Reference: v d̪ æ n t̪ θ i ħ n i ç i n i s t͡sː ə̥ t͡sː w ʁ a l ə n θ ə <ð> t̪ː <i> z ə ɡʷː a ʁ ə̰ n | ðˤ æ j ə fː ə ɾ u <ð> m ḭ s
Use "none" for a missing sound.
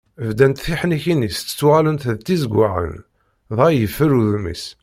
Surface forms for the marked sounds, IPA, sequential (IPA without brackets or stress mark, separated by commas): ð, i, ð